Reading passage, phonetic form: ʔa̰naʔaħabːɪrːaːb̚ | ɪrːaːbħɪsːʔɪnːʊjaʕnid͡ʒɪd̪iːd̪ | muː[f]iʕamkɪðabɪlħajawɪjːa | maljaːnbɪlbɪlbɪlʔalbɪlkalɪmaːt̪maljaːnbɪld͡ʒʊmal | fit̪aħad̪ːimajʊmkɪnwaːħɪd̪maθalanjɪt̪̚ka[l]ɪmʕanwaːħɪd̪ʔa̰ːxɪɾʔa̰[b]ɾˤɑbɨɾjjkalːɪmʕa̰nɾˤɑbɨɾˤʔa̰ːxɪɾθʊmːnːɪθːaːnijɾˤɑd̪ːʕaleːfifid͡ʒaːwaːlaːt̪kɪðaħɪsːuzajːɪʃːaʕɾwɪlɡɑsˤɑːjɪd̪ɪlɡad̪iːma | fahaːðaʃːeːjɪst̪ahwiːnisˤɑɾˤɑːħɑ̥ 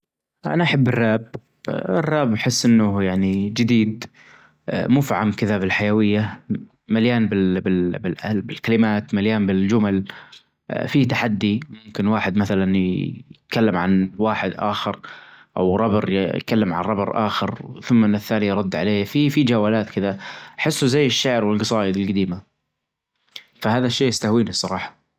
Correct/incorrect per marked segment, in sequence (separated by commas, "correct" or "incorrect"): correct, incorrect, incorrect